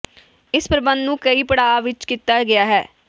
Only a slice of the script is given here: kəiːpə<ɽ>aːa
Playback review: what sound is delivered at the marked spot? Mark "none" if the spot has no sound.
ɽ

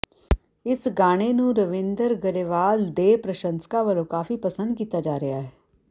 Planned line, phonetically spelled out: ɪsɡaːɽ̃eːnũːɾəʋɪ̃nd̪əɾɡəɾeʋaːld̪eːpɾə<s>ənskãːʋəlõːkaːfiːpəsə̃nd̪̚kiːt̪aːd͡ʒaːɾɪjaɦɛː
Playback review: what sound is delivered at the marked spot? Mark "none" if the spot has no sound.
ʃ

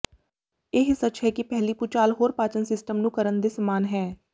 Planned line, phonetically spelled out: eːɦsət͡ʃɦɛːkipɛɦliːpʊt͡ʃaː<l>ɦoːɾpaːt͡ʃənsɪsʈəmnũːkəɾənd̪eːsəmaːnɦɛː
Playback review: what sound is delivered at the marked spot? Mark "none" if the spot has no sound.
l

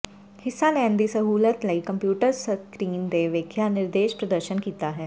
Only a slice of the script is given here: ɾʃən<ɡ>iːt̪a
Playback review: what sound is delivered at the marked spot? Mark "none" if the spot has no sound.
k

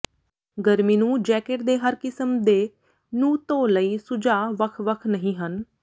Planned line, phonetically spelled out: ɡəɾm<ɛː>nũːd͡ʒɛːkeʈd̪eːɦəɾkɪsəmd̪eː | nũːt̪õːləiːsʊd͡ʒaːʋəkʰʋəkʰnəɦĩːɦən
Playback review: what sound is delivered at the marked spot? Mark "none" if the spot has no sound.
iː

